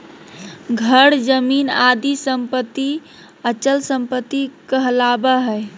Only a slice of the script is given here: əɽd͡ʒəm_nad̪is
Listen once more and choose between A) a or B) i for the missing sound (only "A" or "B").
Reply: B